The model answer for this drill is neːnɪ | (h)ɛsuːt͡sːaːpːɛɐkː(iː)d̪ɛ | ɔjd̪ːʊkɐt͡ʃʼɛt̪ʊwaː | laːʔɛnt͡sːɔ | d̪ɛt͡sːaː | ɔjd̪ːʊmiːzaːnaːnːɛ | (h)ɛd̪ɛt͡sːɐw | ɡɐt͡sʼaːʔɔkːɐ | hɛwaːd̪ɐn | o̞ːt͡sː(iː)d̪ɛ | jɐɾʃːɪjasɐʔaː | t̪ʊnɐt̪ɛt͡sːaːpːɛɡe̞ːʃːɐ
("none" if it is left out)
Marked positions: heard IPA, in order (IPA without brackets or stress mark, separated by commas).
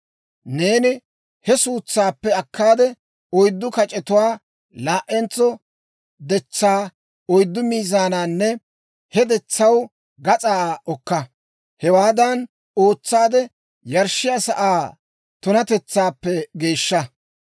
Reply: h, aː, h, aː